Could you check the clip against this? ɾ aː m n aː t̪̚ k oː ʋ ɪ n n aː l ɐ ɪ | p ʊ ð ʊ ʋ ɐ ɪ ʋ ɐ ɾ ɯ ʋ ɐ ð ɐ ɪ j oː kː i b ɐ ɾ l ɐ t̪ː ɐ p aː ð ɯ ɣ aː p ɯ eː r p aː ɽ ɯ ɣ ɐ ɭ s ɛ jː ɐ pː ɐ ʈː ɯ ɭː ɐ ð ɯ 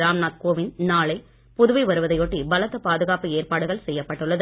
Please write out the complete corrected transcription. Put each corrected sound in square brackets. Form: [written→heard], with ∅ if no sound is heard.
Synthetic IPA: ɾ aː m n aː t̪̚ k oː ʋ ɪ n n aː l ɐ ɪ | p ʊ ð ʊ ʋ ɐ ɪ ʋ ɐ ɾ ɯ ʋ ɐ ð ɐ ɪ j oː [kː→ʈː] i b ɐ [ɾ→∅] l ɐ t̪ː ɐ p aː ð ɯ ɣ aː p ɯ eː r p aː ɽ ɯ ɣ ɐ ɭ s ɛ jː ɐ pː ɐ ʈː ɯ ɭː ɐ ð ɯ